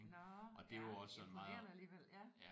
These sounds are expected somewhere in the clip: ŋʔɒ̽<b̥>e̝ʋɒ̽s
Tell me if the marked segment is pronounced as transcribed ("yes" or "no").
no